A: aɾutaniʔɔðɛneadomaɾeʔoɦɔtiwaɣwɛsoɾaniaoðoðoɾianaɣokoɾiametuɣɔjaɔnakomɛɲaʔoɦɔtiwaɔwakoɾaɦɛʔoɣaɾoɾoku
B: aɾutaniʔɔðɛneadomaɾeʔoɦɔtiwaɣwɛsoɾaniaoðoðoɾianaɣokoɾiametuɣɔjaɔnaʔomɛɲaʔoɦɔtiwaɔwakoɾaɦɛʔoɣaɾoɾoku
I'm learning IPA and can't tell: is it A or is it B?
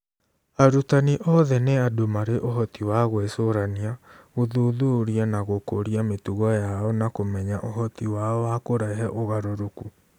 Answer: A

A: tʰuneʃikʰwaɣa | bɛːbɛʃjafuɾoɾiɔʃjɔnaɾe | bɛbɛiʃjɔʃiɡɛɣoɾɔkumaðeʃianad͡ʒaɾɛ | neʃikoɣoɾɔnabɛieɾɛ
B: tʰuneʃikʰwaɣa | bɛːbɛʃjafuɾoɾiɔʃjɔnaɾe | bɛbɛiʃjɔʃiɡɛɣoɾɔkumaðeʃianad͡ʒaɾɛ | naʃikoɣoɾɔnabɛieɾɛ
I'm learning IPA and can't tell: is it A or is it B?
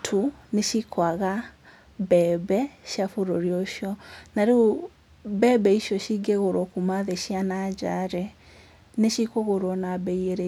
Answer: A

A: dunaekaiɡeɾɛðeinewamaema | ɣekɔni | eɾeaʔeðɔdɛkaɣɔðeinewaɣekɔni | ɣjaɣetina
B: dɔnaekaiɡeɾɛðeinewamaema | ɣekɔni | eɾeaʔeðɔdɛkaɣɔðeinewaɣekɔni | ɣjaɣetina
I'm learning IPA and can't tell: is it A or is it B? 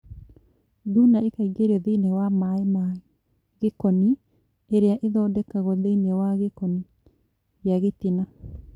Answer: A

